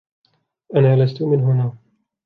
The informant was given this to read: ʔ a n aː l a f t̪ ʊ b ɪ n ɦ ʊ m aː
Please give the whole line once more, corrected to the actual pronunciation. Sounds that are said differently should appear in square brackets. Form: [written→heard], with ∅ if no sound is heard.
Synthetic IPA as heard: ʔ a n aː l a [f→s] t̪ ʊ [b→m] ɪ n ɦ ʊ [m→n] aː